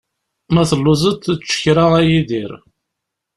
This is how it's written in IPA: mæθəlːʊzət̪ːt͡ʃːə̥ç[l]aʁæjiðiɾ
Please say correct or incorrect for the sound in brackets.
incorrect